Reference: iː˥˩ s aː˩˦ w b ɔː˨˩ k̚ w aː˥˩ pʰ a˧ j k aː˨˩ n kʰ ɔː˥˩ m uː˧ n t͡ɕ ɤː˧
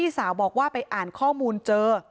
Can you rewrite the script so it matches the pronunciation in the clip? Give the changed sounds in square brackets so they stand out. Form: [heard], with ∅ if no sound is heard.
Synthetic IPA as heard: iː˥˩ s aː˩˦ w b ɔː˨˩ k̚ w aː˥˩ [p] a˧ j [ʔ] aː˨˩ n kʰ ɔː˥˩ m uː˧ n t͡ɕ ɤː˧